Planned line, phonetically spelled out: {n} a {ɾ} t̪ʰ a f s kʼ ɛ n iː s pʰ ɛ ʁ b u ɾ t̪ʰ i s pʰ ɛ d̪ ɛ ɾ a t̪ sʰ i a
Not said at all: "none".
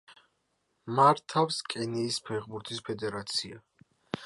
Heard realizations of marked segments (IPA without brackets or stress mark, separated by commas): m, ɾ